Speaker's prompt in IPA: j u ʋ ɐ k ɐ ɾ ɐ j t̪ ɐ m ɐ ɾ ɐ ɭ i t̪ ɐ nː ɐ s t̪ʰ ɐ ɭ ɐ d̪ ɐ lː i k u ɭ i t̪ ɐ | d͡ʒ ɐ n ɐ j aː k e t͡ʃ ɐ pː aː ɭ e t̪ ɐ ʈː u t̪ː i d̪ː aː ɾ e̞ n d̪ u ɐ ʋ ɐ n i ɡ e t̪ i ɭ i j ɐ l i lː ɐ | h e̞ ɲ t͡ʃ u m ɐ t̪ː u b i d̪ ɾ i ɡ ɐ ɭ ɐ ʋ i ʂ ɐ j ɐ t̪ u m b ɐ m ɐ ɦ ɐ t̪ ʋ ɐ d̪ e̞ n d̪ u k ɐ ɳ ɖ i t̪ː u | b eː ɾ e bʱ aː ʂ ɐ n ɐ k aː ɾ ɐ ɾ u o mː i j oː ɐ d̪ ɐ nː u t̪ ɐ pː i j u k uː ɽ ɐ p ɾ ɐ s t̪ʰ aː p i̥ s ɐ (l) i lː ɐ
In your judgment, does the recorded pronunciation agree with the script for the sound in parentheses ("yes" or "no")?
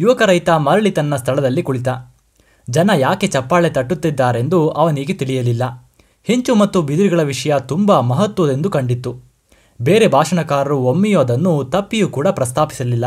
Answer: yes